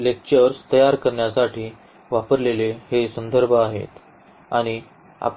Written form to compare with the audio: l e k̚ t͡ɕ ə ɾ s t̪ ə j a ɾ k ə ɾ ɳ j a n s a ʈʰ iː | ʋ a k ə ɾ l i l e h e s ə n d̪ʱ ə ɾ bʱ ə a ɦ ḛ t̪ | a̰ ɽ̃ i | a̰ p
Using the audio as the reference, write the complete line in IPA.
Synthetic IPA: l e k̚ t͡ɕ ə ɾ s t̪ ə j a ɾ k ə ɾ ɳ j a s a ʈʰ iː | ʋ a p ə ɾ l e l e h e s ə n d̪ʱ ə ɾ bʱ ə a ɦ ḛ t̪ | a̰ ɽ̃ i | a̰ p